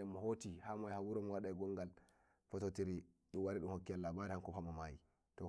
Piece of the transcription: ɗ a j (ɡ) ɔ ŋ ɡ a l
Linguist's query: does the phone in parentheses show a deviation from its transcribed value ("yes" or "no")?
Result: no